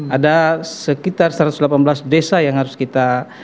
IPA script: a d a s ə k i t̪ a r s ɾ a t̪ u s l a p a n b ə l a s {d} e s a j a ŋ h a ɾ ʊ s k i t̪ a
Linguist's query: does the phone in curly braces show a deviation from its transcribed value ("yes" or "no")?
no